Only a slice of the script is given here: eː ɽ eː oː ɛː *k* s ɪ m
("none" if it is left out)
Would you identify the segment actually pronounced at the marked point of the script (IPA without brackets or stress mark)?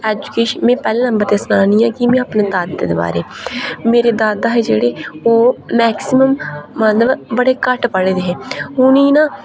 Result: k